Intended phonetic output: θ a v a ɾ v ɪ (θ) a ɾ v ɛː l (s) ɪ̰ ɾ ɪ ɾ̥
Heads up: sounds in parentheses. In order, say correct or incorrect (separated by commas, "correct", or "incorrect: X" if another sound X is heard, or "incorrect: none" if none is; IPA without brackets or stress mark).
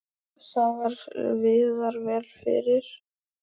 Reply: incorrect: ð, incorrect: f